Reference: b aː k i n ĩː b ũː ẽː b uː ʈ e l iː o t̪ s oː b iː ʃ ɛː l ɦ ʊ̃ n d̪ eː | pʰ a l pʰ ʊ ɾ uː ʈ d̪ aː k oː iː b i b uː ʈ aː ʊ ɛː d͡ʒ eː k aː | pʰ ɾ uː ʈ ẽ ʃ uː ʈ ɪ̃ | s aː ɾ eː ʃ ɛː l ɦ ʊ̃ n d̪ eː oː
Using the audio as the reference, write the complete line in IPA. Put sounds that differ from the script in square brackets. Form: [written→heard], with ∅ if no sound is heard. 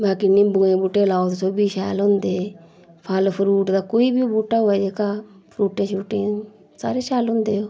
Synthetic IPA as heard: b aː k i n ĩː b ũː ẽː b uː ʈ e l [iː→aː] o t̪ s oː b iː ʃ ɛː l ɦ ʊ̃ n d̪ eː | pʰ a l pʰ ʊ ɾ uː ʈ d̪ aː k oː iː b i b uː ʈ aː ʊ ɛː d͡ʒ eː k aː | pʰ ɾ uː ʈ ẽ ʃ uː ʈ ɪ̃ | s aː ɾ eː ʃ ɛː l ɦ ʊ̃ n d̪ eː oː